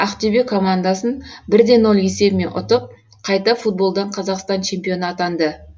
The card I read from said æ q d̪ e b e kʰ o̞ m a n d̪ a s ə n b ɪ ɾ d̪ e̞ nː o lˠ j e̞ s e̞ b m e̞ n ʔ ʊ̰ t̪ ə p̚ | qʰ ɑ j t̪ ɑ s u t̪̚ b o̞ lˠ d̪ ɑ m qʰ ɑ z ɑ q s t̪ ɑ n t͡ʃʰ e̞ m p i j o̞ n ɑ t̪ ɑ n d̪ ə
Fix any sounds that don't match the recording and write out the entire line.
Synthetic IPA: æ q t̪ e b e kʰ o̞ m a n d̪ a s ə n b ɪ ɾ d̪ e̞ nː o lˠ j e̞ s e̞ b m e̞ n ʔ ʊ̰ t̪ ə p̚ | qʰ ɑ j t̪ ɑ f u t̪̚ b o̞ lˠ d̪ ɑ ɴ qʰ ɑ z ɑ q s t̪ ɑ n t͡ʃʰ e̞ m p i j o̞ n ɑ t̪ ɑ n d̪ ə